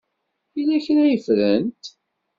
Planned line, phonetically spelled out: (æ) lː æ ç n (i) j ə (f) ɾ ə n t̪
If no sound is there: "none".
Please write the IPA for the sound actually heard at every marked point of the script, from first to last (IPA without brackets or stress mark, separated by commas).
i, æ, f